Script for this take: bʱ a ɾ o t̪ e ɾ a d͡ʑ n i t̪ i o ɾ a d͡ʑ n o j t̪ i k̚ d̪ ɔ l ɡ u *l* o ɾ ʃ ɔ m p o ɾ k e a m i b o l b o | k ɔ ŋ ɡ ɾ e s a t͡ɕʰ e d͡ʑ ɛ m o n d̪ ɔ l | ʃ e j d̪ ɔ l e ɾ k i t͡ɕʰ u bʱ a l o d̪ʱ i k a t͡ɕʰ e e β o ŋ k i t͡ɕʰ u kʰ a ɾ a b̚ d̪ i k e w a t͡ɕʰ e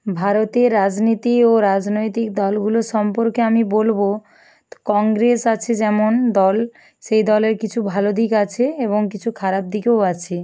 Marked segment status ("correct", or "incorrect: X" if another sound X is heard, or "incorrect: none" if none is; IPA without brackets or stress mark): correct